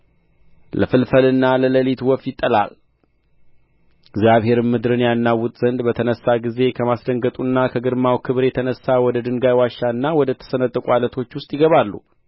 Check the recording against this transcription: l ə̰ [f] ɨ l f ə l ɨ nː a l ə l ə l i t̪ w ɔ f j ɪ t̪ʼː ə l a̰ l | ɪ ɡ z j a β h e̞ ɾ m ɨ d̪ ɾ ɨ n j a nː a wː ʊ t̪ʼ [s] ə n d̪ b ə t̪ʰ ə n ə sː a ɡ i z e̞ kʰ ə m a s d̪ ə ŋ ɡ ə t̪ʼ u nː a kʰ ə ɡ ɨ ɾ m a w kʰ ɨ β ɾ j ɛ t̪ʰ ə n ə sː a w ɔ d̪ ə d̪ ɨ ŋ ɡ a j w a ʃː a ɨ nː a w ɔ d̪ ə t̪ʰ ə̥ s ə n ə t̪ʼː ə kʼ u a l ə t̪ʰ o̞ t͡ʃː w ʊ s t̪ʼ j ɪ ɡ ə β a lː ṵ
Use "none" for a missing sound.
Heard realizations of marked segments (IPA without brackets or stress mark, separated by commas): f, z